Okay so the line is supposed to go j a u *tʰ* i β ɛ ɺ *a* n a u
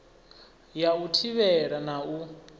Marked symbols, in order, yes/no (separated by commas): yes, yes